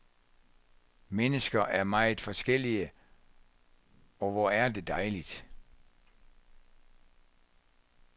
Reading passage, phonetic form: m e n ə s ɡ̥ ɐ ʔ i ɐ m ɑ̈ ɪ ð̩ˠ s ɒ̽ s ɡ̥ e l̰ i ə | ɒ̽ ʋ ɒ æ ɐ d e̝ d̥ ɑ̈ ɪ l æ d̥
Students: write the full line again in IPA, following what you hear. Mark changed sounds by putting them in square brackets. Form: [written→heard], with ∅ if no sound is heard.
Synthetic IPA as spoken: m e n ə s ɡ̥ ɐ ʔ [i→æ] ɐ m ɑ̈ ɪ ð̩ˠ [s→f] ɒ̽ s ɡ̥ e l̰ i ə | ɒ̽ ʋ ɒ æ ɐ d e̝ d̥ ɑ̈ ɪ l [æ→i] d̥